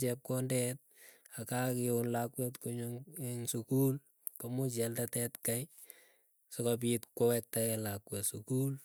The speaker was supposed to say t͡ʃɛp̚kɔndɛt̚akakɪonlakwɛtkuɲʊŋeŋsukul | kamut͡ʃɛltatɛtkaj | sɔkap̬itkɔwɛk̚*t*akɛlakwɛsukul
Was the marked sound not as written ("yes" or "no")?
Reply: no